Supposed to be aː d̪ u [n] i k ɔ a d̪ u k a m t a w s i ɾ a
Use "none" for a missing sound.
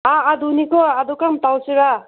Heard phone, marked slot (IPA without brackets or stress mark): n